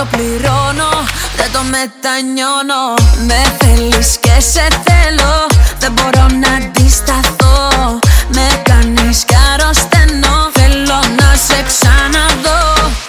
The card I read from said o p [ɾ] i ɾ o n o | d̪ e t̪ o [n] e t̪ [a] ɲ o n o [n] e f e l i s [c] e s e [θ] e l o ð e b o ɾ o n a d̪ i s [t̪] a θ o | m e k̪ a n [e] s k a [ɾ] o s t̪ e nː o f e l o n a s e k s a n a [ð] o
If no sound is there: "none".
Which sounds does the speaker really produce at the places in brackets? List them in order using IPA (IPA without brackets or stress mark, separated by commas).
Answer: l, m, a, m, k, θ, t̪, i, ɾ, ð